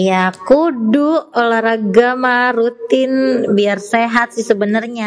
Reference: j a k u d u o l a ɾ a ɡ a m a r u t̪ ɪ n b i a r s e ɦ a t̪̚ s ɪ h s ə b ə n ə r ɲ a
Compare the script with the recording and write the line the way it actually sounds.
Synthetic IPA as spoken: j a k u d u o l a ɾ a ɡ a m a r u t̪ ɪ n b i a r s e ɦ a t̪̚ s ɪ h s ə b ə n ə r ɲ a